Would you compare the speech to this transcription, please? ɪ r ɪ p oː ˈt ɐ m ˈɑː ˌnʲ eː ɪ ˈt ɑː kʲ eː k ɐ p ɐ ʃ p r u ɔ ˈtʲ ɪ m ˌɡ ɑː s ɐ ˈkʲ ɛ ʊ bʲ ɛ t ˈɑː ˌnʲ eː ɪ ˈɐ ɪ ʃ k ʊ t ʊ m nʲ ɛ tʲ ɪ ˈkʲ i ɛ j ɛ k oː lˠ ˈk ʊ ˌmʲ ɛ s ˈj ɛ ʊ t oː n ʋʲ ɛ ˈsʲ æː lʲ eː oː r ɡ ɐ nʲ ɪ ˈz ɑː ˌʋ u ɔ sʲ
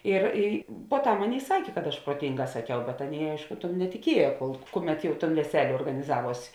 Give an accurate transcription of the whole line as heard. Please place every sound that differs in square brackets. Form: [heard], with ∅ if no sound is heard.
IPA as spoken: ɪ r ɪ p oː ˈt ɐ m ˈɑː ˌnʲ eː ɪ [ˈs] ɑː kʲ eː k ɐ [t] ɐ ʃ p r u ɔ ˈtʲ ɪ [ŋ] ˌɡ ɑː s ɐ ˈkʲ ɛ ʊ bʲ ɛ t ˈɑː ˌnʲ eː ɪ ˈɐ ɪ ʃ k ʊ t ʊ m nʲ ɛ tʲ ɪ ˈkʲ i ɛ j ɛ k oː lˠ ˈk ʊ ˌmʲ ɛ [t] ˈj ɛ ʊ t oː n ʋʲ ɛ ˈsʲ æː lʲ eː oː r ɡ ɐ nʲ ɪ ˈz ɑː ˌʋ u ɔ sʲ